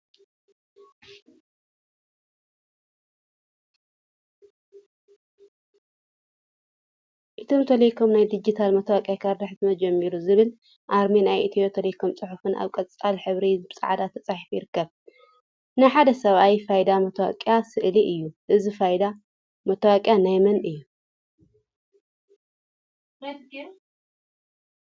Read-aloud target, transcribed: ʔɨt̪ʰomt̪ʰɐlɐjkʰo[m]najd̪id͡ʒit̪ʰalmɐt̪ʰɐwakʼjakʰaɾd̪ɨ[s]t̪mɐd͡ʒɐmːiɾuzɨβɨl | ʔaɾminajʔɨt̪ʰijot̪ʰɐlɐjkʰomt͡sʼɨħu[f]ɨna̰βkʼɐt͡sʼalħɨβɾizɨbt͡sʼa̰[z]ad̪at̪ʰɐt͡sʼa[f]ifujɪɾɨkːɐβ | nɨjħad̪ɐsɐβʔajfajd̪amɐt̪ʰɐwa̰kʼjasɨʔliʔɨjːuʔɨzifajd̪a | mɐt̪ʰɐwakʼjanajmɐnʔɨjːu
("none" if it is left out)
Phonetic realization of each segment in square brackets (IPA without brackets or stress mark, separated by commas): m, ħ, f, ʕ, ħ